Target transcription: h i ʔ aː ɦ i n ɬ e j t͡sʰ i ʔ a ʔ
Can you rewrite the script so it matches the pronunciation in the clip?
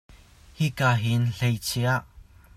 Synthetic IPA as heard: h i k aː ɦ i n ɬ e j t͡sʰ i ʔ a ʔ